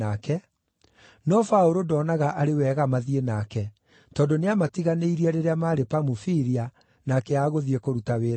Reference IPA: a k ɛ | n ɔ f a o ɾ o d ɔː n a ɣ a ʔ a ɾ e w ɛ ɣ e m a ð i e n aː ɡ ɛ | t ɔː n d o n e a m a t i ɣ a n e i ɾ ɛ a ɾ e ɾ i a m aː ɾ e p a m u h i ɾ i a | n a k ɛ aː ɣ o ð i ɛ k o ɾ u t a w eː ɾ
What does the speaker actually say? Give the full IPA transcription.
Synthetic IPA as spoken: a k ɛ | n ɔ f a o ɾ o d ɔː n a ɣ a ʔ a ɾ e w ɛ ɣ a m a ð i e n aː k ɛ | t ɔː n d o n e a m a t i ɣ a n e i ɾ i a ɾ e ɾ e a m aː ɾ e p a m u f i ɾ i a | n a k ɛ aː ɣ o ð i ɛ k o ɾ u t a w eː ɾ